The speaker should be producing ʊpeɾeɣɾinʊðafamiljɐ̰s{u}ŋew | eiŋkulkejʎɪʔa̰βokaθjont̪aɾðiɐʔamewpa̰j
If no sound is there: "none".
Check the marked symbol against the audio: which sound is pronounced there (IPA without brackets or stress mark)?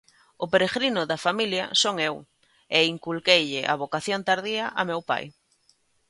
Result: o